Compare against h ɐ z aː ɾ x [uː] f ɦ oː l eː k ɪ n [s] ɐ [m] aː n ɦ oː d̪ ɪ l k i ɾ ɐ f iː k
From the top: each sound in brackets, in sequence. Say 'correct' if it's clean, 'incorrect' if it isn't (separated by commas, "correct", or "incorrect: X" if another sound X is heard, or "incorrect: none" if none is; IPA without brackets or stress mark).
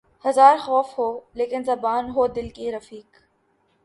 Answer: incorrect: ɔː, incorrect: z, incorrect: b